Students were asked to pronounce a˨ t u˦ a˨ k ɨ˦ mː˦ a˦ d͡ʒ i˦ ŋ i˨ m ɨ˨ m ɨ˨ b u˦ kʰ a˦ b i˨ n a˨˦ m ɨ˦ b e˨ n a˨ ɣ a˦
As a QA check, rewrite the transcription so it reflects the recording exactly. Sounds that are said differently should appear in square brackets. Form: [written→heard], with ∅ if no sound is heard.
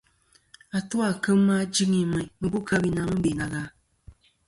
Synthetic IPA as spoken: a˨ t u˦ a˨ k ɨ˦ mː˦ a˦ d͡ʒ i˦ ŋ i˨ m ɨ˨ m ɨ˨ b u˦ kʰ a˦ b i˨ n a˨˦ m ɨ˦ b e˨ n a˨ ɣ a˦